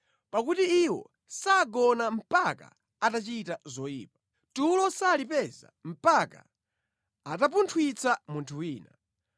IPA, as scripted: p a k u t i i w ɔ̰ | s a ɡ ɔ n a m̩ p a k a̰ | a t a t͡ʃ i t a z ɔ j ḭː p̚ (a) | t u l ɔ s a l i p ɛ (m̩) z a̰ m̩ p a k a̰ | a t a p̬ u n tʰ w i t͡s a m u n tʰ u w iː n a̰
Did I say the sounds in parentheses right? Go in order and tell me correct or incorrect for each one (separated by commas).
correct, incorrect